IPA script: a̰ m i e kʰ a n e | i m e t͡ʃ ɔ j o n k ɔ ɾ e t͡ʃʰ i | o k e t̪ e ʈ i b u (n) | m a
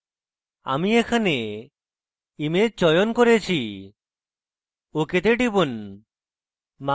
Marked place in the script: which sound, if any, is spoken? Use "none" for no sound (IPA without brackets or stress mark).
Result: n